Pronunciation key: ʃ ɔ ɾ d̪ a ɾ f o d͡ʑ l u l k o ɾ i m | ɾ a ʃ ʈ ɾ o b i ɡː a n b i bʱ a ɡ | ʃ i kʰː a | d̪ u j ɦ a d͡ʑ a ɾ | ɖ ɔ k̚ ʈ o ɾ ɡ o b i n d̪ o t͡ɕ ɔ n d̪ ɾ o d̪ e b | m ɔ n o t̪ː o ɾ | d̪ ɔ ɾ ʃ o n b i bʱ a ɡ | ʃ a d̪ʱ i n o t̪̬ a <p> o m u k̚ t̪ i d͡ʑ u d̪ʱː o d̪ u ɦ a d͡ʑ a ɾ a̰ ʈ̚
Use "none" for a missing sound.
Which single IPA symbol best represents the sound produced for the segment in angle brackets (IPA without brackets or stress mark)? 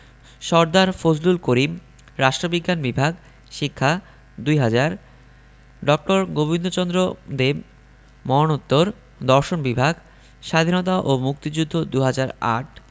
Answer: ʔ